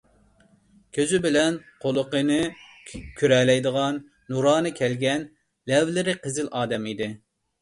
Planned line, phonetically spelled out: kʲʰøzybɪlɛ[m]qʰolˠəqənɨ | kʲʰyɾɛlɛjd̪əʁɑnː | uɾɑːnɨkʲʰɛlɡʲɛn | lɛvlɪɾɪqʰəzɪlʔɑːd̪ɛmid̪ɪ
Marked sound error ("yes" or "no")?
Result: yes